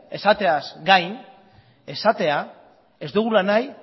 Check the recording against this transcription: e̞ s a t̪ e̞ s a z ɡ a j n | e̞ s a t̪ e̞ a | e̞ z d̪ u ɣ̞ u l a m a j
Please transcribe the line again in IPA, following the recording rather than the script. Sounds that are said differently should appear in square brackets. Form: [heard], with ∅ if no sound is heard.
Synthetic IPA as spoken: e̞ s a t̪ e̞ [∅] a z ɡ a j n | e̞ s a t̪ e̞ a | e̞ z d̪ u ɣ̞ u l a [n] a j